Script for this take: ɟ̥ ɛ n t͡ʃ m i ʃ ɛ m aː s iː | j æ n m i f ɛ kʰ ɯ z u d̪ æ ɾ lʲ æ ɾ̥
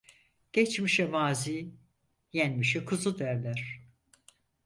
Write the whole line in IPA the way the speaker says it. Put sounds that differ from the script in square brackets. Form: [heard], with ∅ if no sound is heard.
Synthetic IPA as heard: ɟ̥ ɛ [∅] t͡ʃ m i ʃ ɛ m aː [z] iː | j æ n m i [ʃ] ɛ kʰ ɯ z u d̪ æ ɾ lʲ æ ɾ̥